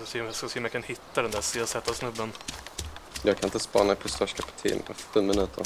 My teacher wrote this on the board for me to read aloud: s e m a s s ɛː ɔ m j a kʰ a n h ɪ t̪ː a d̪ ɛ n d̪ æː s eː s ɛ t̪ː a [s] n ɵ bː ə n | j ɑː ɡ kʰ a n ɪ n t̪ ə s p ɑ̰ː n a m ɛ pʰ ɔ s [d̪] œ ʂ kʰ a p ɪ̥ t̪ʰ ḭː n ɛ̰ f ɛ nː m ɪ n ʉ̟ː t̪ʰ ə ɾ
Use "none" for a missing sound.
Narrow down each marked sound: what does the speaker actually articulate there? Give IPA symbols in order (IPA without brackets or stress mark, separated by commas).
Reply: s, t̪